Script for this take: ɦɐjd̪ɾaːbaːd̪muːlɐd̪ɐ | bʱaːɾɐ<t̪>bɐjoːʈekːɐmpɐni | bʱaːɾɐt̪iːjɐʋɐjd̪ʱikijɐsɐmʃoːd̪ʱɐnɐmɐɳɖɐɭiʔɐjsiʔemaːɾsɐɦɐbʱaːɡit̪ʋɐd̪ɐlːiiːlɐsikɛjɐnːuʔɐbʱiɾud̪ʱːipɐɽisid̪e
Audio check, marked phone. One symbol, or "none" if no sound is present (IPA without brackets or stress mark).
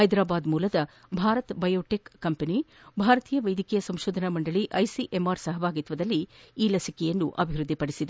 t̪